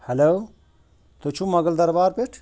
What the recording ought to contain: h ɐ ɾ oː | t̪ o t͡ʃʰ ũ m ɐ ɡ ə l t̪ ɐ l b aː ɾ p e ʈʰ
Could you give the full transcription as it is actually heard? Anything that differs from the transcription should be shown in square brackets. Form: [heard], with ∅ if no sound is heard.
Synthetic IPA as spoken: h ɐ [l] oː | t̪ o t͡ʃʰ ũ m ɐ ɡ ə l [d̪] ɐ [ɾ] b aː ɾ p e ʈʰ